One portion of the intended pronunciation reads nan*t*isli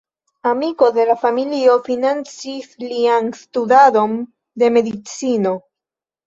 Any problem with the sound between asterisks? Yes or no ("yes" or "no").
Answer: yes